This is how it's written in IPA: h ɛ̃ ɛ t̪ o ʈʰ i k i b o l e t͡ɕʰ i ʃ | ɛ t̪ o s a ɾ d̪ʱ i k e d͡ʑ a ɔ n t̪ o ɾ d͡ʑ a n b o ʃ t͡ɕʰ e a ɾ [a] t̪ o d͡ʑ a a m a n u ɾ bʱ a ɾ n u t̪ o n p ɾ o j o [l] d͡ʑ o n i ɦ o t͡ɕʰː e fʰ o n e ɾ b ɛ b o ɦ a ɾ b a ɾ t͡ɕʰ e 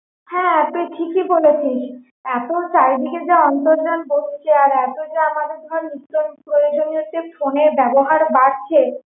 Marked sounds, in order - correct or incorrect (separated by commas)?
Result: incorrect, incorrect